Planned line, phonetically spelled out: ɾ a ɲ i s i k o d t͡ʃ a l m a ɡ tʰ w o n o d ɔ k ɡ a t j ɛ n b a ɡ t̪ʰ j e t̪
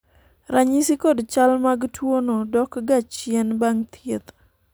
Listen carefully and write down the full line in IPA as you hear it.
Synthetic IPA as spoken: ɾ a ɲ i s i k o d t͡ʃ a l m a ɡ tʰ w o n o d ɔ k ɡ a t͡ʃ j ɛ n b a ŋ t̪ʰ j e t̪